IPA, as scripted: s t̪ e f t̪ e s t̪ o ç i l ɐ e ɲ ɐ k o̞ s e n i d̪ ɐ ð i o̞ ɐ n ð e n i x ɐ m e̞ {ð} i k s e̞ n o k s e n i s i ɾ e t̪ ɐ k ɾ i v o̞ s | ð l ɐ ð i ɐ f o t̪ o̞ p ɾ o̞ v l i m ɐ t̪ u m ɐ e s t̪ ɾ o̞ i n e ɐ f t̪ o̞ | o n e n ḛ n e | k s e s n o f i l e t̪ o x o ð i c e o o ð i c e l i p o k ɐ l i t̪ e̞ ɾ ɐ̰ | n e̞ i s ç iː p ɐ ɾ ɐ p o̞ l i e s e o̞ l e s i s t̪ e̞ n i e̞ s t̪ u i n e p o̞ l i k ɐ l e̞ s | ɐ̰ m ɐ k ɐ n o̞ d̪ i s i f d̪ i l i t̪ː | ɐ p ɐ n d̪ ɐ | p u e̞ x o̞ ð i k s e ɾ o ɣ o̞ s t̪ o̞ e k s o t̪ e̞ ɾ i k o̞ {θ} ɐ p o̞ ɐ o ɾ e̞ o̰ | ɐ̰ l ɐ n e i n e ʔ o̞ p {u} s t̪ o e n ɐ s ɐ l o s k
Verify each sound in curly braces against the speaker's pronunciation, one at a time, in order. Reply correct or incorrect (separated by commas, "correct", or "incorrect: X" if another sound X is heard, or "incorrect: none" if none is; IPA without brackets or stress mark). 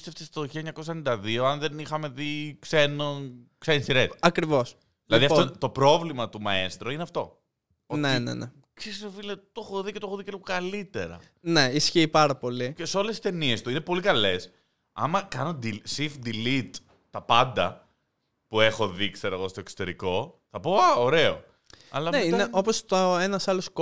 correct, correct, incorrect: o